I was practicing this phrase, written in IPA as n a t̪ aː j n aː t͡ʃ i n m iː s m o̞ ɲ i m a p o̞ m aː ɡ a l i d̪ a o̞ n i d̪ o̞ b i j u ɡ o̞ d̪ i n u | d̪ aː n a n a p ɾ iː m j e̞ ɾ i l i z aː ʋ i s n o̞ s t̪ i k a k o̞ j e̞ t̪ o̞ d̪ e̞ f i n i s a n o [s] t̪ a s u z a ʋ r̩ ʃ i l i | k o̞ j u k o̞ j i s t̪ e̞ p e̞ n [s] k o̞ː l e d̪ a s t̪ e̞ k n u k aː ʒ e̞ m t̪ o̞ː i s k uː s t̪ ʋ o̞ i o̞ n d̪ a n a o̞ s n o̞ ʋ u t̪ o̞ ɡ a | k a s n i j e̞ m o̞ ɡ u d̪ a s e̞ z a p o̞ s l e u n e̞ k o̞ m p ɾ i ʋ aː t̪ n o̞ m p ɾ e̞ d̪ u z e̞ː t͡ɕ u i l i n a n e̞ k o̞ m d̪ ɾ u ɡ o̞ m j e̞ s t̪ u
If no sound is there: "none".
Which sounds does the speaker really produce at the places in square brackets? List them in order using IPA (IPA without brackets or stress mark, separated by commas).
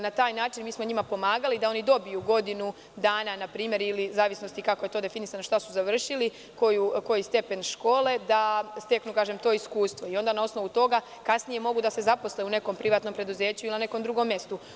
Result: ʃ, ʃ